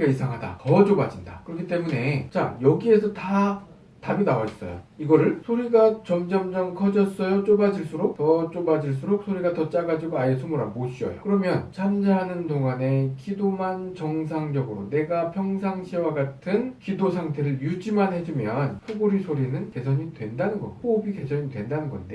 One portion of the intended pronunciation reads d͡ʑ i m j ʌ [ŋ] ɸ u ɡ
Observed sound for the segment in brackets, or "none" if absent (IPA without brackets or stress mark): n